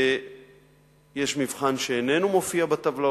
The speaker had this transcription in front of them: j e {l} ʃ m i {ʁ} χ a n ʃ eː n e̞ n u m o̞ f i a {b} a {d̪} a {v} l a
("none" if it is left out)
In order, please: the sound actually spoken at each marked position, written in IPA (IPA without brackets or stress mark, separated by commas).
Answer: none, v, b, t̪, v